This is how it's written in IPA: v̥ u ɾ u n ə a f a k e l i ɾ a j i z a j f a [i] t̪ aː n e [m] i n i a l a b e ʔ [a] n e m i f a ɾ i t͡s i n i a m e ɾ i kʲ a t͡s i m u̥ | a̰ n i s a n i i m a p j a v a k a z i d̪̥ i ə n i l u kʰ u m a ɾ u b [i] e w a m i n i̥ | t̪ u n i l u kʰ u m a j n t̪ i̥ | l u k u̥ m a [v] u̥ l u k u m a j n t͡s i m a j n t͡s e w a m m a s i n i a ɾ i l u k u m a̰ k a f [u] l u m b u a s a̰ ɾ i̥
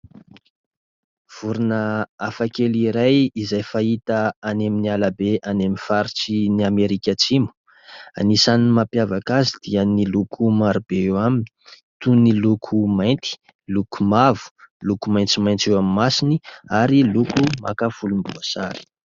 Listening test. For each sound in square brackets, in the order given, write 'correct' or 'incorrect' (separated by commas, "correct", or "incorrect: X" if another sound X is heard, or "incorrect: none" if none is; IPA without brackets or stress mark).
correct, correct, correct, incorrect: e, correct, correct